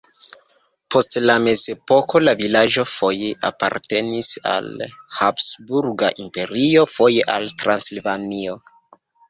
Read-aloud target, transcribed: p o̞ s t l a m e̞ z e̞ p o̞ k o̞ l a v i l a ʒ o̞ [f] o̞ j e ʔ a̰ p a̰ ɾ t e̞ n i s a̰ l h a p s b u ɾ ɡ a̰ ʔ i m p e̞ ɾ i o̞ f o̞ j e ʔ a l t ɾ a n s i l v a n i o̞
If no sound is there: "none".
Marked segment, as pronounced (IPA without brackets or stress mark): f